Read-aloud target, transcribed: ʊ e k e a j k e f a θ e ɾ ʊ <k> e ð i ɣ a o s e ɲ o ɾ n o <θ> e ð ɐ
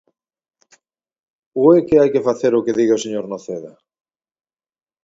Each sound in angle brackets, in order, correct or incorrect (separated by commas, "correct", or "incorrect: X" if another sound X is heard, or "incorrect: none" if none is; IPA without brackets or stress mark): correct, correct